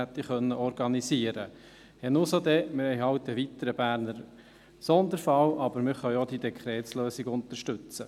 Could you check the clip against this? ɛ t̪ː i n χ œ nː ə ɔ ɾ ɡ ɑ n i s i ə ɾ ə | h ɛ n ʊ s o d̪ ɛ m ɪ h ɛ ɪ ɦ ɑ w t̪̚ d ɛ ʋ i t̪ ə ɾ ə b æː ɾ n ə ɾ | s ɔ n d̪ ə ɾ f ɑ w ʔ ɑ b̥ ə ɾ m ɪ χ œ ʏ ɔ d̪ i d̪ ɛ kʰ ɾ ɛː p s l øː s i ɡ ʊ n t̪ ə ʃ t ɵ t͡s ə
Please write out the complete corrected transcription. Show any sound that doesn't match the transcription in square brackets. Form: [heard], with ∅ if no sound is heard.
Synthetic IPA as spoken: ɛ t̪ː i [∅] χ œ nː ə ɔ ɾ ɡ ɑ n i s i ə ɾ ə | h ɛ n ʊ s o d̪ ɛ m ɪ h ɛ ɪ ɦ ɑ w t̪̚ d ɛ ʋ i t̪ ə ɾ ə b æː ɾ n ə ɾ | s ɔ n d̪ ə ɾ f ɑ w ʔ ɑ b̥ ə ɾ m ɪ χ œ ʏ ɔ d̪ i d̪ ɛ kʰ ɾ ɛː [t] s l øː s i ɡ ʊ n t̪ ə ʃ t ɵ t͡s ə